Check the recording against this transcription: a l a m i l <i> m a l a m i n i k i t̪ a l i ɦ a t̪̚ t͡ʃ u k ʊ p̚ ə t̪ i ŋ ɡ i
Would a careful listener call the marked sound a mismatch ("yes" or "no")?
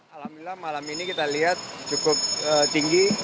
yes